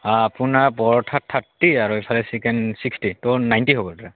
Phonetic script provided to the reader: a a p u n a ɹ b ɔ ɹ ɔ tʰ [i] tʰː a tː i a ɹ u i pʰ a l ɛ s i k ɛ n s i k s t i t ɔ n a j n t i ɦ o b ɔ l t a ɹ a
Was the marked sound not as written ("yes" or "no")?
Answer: yes